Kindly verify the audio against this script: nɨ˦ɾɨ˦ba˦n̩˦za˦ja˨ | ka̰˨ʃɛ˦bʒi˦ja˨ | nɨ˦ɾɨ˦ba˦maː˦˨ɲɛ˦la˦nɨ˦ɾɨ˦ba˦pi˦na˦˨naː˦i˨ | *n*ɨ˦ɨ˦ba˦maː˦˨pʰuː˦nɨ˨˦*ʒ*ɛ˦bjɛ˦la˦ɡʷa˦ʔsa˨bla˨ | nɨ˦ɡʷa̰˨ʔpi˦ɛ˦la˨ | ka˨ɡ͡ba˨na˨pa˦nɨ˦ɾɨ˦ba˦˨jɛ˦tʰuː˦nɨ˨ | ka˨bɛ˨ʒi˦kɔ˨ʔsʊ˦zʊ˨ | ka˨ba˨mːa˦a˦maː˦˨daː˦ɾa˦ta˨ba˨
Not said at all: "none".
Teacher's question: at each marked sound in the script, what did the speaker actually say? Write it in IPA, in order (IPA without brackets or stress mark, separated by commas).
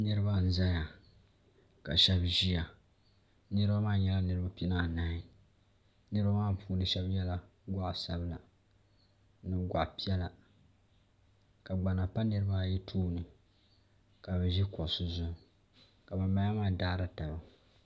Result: n, ʃ